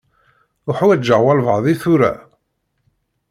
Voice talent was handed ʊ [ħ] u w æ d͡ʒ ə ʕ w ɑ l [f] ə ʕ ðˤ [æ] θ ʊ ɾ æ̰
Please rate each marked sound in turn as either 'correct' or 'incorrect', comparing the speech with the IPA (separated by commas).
correct, incorrect, incorrect